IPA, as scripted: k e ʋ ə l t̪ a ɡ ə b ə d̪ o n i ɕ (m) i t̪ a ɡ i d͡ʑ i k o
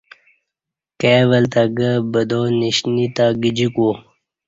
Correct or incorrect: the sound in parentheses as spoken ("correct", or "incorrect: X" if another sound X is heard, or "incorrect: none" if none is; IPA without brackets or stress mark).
incorrect: n